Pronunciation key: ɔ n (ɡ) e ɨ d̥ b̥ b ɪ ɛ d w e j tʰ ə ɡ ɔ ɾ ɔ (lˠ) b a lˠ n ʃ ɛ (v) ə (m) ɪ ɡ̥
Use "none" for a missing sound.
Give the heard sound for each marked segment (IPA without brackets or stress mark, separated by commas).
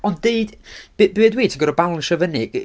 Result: d, none, v, n